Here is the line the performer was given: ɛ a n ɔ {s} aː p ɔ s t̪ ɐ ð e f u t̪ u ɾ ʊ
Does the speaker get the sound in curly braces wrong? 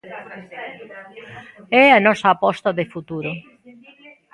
no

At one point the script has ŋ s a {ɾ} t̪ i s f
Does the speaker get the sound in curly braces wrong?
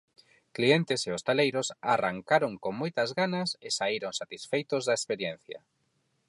yes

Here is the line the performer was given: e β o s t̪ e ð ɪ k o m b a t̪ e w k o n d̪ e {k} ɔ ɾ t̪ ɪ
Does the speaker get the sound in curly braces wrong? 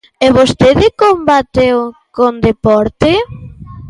yes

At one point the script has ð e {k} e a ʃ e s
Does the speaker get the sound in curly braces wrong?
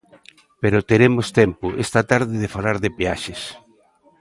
yes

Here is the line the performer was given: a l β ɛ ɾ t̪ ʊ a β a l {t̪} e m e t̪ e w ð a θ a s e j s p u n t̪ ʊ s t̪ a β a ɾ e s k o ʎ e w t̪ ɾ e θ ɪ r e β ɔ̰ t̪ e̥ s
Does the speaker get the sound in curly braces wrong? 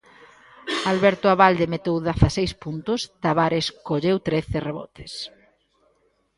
yes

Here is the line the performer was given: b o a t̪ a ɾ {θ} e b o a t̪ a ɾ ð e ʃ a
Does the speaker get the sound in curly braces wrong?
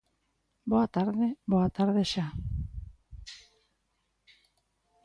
yes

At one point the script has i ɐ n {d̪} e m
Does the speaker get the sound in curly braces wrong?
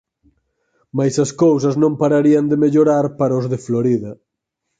no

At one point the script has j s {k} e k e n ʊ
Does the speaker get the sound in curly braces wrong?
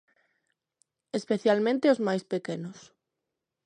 yes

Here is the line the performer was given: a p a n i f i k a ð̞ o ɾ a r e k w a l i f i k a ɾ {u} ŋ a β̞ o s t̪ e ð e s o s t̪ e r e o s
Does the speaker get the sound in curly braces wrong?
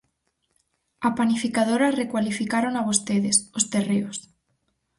yes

